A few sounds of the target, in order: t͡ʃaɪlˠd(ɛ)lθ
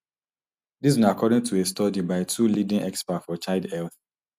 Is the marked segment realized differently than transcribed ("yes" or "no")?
no